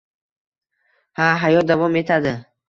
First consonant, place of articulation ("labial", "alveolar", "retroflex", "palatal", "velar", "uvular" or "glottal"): glottal